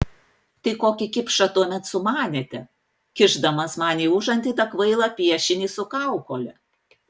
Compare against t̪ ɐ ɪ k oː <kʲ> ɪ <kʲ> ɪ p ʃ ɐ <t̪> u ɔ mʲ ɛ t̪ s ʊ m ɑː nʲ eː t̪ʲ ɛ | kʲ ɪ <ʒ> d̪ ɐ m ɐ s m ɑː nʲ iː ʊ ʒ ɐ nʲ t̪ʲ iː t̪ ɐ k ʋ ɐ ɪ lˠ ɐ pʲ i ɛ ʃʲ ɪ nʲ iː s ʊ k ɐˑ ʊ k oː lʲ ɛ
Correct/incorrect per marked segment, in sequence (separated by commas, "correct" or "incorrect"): correct, correct, correct, correct